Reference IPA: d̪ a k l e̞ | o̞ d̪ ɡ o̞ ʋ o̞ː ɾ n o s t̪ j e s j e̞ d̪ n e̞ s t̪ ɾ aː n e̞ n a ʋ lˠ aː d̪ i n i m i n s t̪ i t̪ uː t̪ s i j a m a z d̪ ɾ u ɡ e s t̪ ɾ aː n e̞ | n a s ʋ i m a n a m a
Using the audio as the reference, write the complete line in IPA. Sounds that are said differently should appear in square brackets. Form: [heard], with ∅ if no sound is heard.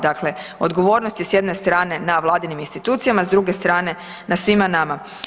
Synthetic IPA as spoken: d̪ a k l e̞ | o̞ d̪ ɡ o̞ ʋ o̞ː ɾ n o s t̪ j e s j e̞ d̪ n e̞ s t̪ ɾ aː n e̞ n a ʋ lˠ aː d̪ i n i m i n s t̪ i t̪ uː t̪ s i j a m a z d̪ ɾ u ɡ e s t̪ ɾ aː n e̞ | n a s ʋ i m a n a m a